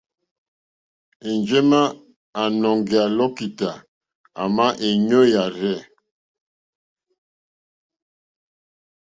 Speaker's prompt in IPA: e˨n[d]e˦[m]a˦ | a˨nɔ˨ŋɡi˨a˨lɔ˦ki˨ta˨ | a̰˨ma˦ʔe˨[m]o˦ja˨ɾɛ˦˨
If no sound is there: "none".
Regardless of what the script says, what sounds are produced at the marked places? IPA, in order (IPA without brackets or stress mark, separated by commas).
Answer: d͡ʒ, m, ɲ